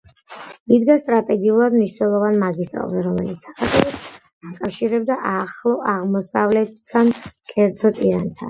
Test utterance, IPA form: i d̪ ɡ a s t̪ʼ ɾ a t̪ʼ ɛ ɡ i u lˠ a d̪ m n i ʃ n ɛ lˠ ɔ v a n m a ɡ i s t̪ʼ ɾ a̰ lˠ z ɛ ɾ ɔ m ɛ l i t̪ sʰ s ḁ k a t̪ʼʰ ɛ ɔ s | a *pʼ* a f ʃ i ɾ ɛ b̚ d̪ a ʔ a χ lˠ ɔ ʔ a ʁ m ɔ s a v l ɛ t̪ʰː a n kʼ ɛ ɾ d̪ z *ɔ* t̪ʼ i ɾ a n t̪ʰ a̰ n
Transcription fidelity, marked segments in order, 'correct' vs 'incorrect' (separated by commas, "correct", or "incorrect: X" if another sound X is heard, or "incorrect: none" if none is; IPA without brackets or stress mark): incorrect: kʼ, correct